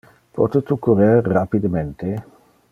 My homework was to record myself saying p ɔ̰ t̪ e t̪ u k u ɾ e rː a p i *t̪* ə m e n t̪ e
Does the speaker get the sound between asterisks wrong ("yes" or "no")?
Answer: yes